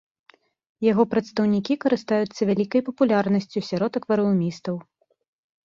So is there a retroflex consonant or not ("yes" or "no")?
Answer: no